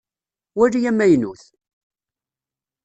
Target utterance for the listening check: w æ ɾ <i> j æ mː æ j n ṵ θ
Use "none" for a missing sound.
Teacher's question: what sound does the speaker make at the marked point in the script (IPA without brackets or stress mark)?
i